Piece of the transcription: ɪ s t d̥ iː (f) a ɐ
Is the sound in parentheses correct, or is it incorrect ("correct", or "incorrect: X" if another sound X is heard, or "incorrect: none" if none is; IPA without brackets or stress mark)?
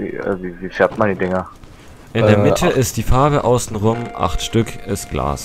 correct